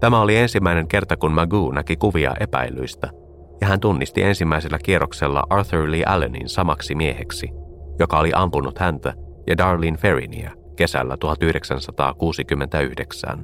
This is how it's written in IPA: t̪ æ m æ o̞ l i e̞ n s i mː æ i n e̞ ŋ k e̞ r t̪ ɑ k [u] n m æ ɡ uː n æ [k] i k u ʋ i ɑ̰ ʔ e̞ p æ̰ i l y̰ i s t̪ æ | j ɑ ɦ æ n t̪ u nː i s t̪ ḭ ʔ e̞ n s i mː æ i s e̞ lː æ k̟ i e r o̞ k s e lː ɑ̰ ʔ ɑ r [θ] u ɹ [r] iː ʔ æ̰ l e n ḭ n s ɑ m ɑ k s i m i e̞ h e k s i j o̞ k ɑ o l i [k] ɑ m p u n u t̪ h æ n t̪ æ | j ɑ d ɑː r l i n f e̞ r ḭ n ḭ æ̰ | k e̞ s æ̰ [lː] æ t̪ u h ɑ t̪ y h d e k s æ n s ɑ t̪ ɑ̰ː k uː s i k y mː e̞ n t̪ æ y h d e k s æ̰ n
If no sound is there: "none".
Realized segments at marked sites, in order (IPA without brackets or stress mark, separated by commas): u, k, θ, l, ʔ, lː